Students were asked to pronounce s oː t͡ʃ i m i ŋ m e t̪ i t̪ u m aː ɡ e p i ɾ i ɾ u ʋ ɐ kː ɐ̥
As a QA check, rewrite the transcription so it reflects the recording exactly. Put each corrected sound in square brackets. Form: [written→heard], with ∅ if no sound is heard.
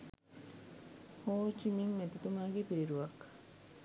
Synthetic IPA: [s→h] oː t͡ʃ i m i ŋ m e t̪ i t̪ u m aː ɡ e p i ɾ i ɾ u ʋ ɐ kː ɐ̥